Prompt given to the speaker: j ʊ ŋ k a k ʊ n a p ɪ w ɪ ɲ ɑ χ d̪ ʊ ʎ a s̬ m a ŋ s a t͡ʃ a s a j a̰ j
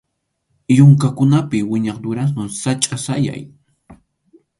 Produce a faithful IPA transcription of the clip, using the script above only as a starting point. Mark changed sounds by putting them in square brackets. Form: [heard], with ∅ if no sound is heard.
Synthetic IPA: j ʊ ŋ k a k ʊ n a p ɪ w ɪ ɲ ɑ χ d̪ ʊ [ɾ] a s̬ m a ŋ s a [t͡ʃʼ] a s a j a̰ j